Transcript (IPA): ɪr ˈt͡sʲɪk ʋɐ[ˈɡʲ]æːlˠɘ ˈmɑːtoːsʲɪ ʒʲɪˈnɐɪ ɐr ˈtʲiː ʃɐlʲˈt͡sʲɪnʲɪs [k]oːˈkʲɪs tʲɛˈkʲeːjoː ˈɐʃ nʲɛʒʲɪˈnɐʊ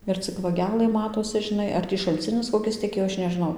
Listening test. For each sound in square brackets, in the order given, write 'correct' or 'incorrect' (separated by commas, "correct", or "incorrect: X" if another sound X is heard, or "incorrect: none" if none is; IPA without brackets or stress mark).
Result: correct, correct